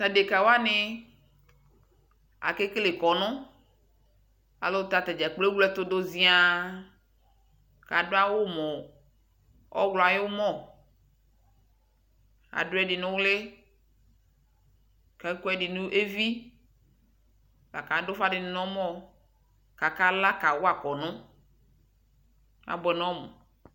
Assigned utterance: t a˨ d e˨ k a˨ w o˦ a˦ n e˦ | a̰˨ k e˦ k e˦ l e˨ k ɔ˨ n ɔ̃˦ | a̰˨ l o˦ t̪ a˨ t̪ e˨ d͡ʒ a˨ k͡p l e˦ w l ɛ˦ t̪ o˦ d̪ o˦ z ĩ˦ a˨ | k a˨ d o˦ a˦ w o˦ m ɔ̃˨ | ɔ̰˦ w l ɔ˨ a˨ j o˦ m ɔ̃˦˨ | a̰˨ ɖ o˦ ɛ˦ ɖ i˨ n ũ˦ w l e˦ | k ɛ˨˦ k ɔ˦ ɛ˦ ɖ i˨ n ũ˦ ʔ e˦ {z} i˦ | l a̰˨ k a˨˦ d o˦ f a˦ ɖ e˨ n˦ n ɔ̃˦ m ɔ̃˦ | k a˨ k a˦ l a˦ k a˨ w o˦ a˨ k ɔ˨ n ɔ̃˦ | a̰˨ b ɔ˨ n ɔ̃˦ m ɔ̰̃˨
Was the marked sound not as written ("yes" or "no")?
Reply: yes